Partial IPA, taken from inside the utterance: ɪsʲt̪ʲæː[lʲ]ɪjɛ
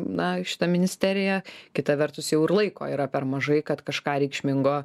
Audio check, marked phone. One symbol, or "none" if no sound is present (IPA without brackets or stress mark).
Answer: ɾʲ